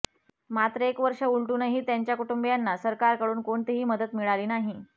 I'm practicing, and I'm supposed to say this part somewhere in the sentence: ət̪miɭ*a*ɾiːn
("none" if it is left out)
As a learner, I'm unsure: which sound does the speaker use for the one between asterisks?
a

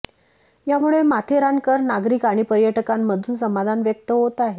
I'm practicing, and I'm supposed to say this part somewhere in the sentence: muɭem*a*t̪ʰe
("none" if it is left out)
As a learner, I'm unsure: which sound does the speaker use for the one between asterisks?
a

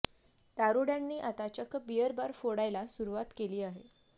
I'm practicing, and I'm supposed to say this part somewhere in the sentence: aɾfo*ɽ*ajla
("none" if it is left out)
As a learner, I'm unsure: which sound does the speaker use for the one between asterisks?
ɽ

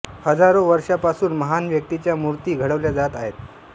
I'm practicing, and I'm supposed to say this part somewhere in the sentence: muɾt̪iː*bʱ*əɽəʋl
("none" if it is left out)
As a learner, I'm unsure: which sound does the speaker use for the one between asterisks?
ɡʱ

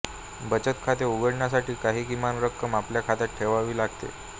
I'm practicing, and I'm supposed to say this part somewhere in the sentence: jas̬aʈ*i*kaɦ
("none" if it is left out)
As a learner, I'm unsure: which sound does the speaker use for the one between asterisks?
iː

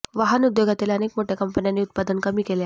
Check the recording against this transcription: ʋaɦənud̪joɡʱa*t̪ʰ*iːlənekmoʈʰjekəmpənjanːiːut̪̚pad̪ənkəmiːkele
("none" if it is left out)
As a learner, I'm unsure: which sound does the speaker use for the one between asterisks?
t̪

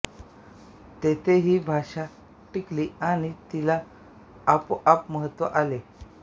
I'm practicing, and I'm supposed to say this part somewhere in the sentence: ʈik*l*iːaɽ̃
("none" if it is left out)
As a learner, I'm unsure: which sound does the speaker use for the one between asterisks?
l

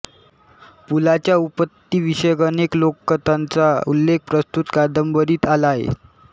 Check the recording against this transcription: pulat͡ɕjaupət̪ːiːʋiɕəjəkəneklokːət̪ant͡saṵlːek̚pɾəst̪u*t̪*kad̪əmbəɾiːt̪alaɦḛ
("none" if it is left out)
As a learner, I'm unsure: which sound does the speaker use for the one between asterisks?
t̪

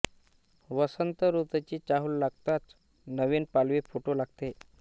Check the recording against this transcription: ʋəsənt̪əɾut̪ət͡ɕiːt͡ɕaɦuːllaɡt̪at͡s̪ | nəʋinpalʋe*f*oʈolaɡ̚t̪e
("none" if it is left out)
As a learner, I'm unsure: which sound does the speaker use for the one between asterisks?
f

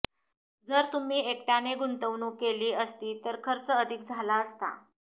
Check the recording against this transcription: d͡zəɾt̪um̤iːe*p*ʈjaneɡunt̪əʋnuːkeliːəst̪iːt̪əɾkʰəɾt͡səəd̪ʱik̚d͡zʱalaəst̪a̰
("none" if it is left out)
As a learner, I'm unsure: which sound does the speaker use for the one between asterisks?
k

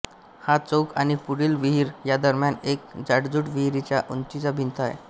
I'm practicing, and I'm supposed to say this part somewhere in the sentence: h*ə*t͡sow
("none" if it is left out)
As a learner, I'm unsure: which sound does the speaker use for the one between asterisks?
a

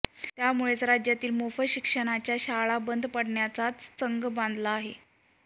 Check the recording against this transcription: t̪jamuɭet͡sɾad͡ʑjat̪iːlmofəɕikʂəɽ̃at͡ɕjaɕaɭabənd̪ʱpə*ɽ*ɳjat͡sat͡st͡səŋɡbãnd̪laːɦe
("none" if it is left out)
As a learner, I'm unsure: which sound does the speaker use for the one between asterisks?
ɽ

